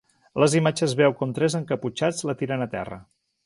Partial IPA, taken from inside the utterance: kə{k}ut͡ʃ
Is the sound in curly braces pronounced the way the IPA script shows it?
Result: no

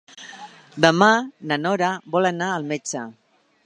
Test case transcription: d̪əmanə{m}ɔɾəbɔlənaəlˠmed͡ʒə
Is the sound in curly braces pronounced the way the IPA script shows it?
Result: no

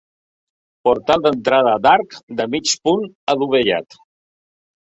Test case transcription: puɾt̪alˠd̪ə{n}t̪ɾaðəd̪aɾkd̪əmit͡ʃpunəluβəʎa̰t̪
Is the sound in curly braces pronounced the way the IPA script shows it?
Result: yes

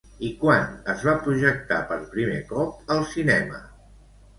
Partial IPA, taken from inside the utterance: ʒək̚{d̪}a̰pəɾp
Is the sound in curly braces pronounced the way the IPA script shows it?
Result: no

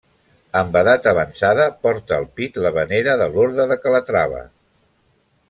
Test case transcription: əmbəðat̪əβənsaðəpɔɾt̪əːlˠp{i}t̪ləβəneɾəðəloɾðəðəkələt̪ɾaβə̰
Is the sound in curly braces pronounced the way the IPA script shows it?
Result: yes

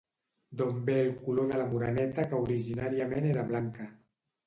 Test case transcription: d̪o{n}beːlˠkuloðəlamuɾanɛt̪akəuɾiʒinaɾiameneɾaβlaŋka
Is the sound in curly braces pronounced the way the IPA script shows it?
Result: no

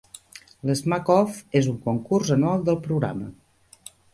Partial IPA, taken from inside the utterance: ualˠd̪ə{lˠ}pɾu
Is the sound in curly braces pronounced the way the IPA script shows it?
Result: yes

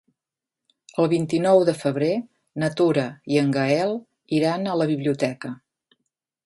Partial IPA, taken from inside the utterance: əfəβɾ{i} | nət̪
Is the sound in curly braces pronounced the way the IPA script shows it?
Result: no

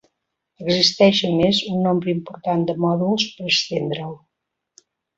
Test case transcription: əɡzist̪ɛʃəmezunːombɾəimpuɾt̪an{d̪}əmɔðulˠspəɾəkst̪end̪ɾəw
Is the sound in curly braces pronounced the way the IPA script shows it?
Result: yes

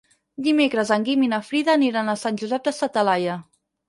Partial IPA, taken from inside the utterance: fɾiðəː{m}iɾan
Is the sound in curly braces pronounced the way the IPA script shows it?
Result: no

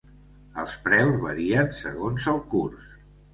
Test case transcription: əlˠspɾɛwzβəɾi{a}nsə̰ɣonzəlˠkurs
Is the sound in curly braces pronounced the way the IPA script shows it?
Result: no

